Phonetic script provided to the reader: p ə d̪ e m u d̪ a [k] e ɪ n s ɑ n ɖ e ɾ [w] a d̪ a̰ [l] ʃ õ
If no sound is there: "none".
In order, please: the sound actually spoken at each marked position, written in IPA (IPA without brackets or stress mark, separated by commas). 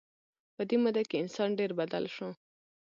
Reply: k, b, l